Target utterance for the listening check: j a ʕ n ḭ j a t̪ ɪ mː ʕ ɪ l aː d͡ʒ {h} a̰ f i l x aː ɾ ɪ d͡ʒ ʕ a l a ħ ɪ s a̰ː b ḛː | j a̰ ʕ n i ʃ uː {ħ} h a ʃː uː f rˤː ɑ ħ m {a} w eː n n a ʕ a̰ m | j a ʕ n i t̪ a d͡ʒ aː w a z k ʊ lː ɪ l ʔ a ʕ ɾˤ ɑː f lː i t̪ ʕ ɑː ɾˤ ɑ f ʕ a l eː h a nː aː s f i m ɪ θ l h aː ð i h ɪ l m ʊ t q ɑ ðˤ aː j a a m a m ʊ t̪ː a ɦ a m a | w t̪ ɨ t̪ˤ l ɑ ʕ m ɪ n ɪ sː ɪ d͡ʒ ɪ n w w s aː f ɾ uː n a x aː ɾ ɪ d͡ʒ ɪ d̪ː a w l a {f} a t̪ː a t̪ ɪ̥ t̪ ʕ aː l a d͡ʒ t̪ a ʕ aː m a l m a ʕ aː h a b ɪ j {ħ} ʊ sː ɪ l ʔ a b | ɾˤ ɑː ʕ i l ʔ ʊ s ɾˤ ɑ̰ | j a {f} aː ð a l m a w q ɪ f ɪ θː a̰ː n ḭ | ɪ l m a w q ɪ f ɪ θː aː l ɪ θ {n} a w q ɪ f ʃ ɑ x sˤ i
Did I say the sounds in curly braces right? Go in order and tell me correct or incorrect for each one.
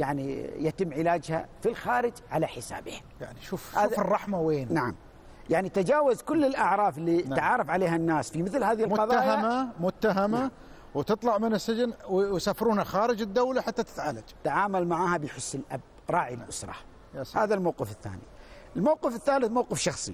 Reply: correct, incorrect: f, correct, incorrect: ħ, correct, incorrect: h, incorrect: m

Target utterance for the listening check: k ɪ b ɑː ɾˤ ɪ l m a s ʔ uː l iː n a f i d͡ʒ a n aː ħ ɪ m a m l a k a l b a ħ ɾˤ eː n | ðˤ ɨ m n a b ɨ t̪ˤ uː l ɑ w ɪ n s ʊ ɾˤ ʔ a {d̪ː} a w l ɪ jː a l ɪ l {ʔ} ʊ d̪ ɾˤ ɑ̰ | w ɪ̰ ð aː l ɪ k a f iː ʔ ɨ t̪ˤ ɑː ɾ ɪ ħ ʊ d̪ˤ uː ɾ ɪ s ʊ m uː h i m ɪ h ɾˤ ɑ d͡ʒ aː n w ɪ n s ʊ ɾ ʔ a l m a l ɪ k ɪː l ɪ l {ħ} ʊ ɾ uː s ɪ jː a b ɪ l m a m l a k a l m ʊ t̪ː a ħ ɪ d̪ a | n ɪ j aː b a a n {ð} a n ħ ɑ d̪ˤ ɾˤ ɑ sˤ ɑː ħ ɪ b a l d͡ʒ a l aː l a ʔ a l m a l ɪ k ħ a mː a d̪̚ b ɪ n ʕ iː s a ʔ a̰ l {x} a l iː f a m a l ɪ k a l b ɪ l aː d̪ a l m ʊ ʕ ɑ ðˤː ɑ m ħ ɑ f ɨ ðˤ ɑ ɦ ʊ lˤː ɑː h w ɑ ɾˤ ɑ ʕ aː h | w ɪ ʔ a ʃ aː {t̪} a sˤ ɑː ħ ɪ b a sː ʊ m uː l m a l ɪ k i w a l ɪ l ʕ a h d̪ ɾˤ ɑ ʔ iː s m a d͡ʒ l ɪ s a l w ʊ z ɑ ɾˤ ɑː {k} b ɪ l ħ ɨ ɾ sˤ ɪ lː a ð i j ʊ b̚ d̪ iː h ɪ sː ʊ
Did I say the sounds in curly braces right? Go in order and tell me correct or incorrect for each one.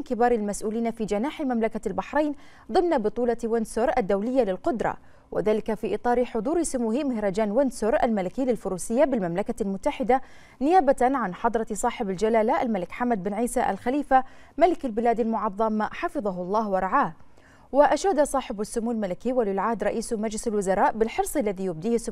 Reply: correct, incorrect: q, incorrect: f, incorrect: ʕ, correct, incorrect: d̪, incorrect: ʔ

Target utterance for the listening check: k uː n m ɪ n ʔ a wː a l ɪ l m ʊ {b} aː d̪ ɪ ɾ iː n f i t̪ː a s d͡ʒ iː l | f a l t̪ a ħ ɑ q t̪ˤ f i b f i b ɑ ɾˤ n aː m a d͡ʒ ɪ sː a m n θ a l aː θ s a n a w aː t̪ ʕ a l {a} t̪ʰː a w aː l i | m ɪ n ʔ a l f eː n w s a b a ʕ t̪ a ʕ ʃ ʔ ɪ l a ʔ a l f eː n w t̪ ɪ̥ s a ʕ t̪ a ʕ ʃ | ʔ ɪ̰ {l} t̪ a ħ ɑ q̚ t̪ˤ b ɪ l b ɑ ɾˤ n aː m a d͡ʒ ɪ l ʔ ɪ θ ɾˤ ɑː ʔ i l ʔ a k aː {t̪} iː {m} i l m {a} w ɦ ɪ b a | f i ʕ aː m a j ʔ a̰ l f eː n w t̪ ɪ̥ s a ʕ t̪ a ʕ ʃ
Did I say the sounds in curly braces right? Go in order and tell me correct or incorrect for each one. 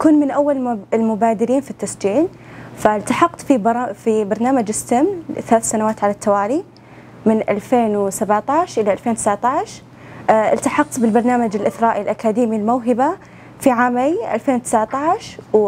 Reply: correct, correct, correct, incorrect: d̪, correct, correct

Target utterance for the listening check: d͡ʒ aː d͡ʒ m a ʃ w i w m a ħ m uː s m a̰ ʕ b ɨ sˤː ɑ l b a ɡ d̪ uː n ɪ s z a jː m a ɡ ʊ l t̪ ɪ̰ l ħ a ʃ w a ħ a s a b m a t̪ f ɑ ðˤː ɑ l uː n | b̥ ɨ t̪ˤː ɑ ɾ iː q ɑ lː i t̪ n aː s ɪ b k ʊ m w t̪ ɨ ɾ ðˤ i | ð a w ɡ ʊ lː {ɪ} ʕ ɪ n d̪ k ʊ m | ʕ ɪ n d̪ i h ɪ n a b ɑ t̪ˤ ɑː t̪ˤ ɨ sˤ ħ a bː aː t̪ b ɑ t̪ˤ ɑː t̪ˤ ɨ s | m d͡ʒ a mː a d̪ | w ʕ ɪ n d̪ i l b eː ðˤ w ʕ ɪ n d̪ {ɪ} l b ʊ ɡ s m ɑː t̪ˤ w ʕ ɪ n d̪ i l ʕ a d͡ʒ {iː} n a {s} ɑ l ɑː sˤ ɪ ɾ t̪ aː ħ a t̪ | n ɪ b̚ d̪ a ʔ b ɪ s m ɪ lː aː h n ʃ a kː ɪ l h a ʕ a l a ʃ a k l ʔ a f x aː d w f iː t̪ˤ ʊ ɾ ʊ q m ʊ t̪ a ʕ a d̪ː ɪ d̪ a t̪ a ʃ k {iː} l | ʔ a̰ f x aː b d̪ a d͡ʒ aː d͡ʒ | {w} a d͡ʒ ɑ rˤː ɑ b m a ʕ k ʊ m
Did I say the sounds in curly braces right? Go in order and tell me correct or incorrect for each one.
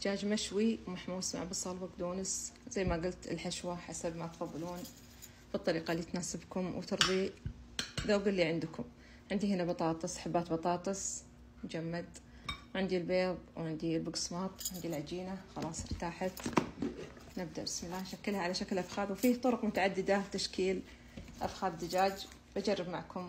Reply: incorrect: i, incorrect: i, correct, incorrect: x, correct, incorrect: b

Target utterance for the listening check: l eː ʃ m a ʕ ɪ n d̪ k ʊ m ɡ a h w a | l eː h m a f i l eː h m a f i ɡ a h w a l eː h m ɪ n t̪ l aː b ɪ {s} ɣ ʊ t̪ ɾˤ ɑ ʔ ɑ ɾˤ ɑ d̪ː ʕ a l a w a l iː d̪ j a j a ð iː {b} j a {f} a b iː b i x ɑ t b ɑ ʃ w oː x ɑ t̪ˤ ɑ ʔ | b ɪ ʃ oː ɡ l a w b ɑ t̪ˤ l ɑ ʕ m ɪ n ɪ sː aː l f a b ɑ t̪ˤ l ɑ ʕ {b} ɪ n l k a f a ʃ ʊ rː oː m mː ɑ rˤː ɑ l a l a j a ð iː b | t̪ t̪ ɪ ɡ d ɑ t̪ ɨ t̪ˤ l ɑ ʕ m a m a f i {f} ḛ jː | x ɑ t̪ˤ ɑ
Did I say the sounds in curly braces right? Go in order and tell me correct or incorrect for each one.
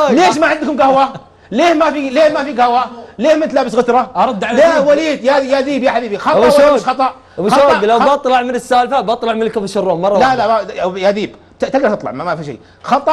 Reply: correct, correct, incorrect: ħ, incorrect: m, incorrect: ʃ

